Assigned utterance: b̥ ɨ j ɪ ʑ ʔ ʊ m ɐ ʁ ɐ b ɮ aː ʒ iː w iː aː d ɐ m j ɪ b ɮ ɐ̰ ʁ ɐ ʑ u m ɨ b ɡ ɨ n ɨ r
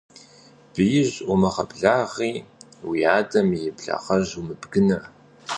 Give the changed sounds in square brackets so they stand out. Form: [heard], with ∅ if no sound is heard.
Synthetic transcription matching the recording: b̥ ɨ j ɪ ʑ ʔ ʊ m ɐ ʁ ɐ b ɮ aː [ʁ] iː w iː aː d ɐ m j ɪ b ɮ ɐ̰ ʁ ɐ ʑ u m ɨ b ɡ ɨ n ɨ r